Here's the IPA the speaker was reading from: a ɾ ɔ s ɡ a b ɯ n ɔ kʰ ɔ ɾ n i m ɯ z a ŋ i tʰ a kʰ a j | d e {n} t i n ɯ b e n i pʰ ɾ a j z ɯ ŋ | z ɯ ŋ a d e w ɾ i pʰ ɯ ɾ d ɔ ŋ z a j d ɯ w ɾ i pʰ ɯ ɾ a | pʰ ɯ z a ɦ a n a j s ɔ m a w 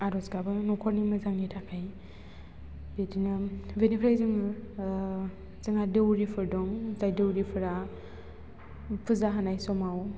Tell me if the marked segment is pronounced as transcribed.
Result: no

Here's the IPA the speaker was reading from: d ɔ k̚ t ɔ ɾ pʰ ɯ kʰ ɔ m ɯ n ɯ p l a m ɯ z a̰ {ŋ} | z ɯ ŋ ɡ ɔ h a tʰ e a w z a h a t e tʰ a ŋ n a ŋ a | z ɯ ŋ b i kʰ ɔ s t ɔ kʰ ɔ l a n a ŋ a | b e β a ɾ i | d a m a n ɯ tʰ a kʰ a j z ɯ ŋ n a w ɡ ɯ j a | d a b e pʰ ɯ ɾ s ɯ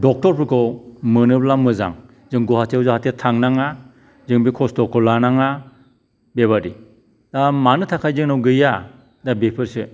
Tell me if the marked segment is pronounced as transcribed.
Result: yes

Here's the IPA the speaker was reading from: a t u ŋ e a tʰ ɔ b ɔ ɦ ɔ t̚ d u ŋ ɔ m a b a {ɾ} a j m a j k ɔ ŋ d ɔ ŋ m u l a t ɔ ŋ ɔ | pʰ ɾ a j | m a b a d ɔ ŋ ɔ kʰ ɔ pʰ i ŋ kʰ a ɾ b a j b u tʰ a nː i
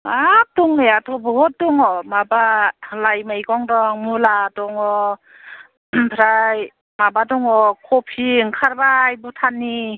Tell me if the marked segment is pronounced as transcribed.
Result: no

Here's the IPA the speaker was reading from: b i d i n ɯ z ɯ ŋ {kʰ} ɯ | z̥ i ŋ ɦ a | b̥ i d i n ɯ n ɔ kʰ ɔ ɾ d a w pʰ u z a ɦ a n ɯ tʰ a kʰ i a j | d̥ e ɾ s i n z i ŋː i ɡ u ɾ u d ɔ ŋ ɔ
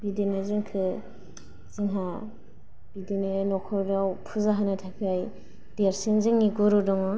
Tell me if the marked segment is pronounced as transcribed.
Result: yes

